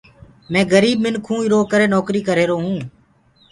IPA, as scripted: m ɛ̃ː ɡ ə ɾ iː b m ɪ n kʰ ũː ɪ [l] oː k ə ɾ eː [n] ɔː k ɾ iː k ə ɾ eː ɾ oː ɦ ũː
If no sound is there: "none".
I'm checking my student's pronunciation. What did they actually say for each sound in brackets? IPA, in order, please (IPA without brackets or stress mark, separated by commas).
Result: ɾ, n